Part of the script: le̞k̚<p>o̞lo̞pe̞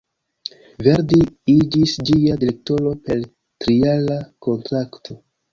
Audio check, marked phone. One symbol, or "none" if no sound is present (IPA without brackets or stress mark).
t